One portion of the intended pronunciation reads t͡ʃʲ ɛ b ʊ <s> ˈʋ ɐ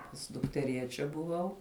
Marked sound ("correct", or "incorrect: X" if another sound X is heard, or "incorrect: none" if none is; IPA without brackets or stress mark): incorrect: none